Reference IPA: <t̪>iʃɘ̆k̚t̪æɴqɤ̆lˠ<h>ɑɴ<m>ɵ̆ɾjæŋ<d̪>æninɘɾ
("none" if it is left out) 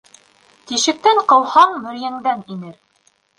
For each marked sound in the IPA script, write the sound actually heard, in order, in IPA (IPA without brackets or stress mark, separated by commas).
t̪, h, m, d̪